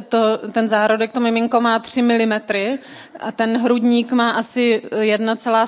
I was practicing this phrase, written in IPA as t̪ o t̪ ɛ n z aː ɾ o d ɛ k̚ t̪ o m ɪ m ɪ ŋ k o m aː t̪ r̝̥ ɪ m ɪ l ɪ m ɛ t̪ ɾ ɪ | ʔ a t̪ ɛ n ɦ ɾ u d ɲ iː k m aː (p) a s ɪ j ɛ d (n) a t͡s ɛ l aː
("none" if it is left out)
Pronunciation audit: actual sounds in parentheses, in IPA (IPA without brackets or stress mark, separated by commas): ʔ, n